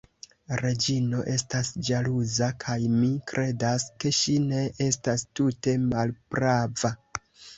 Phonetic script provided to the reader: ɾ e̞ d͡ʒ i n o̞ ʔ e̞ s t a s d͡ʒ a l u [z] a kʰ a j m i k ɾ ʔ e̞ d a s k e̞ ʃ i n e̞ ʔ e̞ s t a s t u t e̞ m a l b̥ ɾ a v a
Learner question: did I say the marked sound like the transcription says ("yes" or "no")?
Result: yes